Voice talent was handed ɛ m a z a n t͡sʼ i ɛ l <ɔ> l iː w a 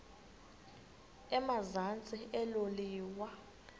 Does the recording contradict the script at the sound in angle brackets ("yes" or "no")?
yes